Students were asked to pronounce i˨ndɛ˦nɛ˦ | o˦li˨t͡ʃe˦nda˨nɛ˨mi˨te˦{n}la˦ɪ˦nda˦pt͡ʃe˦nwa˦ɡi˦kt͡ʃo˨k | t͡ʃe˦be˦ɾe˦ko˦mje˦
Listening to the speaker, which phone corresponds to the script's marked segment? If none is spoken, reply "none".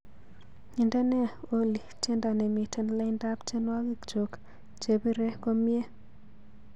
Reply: n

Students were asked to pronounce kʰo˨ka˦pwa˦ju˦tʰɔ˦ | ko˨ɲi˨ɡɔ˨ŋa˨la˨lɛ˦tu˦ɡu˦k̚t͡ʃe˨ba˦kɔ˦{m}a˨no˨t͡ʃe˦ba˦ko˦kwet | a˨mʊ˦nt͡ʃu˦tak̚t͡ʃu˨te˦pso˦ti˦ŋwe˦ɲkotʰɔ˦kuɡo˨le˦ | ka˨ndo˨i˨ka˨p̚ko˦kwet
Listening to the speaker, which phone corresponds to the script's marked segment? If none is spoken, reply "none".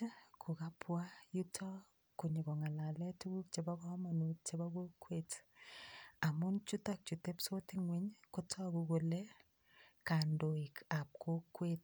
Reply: m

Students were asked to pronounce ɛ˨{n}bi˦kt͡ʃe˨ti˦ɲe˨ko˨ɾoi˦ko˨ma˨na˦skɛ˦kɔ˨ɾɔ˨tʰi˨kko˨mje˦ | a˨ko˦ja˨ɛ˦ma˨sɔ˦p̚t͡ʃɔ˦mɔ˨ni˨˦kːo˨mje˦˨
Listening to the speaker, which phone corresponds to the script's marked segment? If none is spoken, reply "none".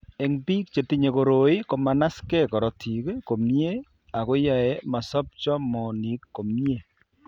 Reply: ŋ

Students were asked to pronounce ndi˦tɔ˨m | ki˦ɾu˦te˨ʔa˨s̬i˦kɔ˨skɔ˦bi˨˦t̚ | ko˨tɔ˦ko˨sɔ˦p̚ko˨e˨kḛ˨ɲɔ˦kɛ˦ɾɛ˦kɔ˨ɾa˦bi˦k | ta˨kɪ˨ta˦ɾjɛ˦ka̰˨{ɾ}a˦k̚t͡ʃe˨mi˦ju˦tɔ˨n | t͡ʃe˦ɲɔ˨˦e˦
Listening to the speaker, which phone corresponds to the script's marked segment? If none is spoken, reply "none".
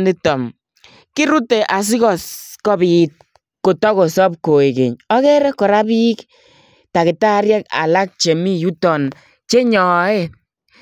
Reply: l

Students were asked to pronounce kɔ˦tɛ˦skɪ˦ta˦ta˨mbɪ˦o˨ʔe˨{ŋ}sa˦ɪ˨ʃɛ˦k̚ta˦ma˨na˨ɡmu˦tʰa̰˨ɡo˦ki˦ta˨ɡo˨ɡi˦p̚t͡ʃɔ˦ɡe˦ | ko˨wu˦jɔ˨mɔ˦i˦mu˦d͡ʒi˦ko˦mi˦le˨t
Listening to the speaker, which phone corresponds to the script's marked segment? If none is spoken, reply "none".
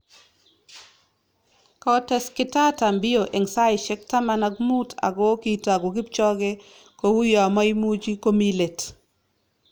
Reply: ŋ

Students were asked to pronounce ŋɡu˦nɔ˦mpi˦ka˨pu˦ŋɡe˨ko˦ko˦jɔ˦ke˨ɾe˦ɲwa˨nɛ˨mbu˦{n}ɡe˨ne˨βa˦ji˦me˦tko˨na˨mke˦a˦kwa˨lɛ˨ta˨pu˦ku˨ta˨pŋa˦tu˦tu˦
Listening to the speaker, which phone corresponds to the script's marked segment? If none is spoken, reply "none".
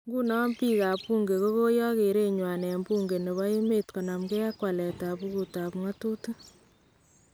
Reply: ŋ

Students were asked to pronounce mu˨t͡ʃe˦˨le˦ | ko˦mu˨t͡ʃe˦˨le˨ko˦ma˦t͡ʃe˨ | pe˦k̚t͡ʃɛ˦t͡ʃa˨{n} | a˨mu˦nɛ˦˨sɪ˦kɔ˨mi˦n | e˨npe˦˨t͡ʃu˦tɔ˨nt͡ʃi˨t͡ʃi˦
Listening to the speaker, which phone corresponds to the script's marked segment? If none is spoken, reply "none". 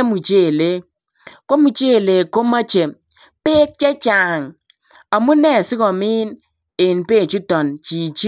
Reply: ŋ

